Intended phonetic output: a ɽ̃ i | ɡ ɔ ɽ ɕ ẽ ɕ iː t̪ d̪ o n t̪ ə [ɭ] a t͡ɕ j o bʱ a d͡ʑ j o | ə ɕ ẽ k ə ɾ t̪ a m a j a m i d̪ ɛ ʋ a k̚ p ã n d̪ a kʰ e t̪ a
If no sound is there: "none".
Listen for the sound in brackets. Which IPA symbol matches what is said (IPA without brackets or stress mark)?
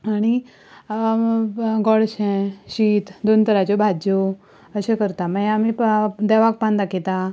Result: ɾ